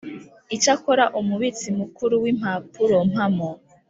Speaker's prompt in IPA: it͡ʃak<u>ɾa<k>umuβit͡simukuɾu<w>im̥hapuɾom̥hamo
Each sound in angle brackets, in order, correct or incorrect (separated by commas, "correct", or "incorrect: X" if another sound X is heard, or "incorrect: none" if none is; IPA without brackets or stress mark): incorrect: o, incorrect: ʔ, correct